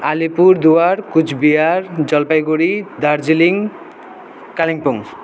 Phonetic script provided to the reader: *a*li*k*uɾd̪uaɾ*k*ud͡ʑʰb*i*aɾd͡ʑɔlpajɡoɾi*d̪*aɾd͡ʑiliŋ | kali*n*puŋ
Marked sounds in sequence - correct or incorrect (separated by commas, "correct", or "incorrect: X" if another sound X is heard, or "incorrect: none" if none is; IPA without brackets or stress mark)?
correct, incorrect: p, correct, correct, correct, incorrect: ŋ